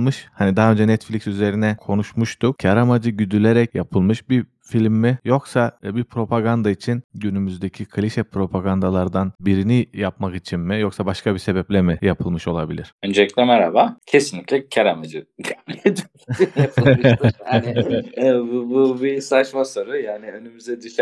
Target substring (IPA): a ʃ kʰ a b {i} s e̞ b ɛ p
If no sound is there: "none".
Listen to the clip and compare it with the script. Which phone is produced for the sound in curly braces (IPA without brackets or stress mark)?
i